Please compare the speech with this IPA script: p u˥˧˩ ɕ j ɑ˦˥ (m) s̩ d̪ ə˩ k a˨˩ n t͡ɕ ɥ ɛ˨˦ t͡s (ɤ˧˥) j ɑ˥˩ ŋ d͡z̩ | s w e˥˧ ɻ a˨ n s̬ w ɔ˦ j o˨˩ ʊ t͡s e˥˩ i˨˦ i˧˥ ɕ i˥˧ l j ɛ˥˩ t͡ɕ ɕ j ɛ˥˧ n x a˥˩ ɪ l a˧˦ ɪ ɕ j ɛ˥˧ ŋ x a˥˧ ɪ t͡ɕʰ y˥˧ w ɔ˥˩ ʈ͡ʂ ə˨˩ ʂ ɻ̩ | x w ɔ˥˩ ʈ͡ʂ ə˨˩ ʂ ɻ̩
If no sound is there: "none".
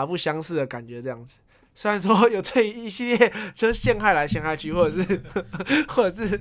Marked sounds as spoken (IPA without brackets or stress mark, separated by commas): ŋ, ɤ˥˧